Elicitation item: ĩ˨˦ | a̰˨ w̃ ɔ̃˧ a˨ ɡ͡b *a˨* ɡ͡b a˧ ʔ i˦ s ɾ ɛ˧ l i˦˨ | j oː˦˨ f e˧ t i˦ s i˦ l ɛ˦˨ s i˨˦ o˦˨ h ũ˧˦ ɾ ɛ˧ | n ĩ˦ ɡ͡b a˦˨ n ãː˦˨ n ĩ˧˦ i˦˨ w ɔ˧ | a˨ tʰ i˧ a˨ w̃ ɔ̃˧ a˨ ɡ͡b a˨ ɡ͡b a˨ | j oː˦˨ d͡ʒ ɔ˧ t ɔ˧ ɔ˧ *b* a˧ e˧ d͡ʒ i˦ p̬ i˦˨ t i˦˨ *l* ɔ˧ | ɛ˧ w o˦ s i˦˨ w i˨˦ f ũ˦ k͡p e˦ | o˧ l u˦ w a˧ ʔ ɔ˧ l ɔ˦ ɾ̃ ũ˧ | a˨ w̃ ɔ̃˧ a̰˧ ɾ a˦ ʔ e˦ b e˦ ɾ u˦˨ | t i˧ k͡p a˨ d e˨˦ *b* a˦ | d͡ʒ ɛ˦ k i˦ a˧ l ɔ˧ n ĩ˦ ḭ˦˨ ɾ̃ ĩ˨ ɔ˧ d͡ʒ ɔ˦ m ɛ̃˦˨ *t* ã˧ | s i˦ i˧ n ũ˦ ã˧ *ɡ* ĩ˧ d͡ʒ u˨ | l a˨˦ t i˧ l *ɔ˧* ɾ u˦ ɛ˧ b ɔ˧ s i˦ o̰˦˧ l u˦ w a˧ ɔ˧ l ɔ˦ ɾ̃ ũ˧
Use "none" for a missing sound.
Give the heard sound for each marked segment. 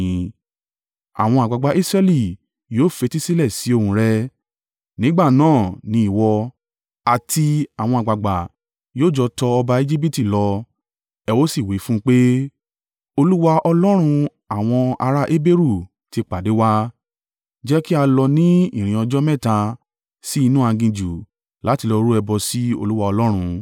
a˨, b, l, w, t, ɡ, ɔ˧

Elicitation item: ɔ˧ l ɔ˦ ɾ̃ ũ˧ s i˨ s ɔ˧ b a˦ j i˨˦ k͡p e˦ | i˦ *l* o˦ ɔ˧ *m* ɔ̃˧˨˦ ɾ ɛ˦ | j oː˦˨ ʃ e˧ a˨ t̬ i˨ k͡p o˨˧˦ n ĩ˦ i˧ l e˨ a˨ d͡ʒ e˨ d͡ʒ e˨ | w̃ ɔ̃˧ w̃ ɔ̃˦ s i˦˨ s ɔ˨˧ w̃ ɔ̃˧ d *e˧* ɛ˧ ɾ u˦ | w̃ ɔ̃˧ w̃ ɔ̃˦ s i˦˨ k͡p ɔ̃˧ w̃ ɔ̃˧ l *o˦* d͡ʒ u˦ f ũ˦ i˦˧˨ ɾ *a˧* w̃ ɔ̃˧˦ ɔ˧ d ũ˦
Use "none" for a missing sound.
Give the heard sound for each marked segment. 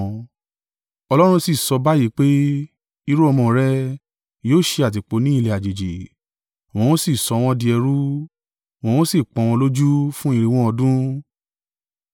ɾ, m, i˧, o˦, i˧

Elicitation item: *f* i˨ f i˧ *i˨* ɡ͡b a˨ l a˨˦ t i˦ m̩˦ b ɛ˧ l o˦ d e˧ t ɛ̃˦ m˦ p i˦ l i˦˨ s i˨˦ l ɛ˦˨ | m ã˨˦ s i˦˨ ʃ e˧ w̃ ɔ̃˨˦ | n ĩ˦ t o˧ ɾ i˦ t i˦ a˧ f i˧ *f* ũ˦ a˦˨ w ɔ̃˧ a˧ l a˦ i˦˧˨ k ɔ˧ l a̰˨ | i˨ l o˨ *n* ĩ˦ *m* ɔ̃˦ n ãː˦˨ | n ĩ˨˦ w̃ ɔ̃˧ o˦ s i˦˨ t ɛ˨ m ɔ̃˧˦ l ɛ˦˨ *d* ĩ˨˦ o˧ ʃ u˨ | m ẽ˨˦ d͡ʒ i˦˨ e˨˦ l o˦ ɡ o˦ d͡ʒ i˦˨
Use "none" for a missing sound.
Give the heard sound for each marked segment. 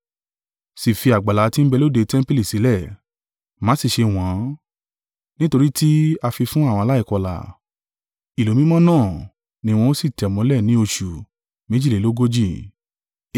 s, a˨, f, m, m, n

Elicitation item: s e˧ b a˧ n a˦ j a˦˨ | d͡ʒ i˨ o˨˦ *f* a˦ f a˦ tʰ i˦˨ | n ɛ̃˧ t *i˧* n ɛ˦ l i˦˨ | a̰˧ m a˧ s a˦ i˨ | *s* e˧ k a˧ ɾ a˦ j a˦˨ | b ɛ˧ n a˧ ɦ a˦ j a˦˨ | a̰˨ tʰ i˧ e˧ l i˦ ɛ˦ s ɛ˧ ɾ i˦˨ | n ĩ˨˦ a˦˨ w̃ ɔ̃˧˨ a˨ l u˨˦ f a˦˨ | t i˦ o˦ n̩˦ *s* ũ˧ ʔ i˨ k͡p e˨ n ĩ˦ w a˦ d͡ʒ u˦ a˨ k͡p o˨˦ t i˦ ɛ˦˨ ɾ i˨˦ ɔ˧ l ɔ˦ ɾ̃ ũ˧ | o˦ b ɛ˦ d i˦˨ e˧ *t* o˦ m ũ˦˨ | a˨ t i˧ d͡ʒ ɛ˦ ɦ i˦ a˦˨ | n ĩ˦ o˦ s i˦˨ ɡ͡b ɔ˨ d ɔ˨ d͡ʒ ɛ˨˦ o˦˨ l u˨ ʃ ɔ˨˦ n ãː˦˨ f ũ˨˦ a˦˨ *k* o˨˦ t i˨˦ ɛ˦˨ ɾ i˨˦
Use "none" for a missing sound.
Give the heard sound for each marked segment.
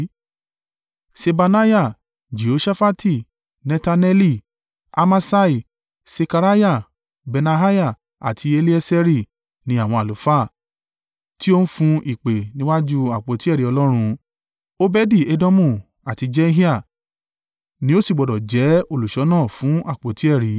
ʃ, a˧, s, f, d, k͡p

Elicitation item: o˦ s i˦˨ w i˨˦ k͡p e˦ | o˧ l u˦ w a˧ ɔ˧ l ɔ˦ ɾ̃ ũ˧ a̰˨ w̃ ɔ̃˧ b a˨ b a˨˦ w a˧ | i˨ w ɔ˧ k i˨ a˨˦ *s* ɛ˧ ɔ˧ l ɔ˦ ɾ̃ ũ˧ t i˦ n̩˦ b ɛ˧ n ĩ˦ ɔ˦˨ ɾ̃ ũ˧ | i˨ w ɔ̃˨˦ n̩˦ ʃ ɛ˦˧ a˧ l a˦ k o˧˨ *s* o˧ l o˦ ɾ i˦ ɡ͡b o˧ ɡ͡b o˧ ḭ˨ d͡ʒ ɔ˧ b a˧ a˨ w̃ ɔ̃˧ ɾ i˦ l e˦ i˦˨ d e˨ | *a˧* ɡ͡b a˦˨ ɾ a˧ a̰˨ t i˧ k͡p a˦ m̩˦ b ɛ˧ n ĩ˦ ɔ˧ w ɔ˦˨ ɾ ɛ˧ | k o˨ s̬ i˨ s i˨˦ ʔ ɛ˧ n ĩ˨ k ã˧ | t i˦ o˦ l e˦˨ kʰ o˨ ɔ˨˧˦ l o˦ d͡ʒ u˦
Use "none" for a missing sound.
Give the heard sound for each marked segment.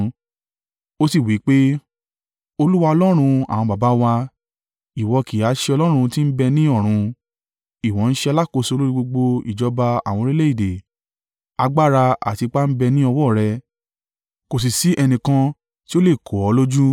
ʃ, s, a˧

